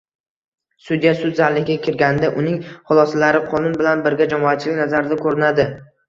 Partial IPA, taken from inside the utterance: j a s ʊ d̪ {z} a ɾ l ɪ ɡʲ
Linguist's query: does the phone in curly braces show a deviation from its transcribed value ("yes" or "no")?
no